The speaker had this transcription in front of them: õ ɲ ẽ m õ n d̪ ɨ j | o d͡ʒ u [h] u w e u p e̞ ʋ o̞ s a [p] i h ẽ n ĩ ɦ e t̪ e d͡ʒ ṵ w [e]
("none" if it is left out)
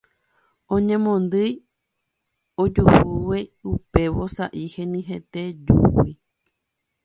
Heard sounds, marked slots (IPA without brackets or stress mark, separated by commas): h, ʔ, i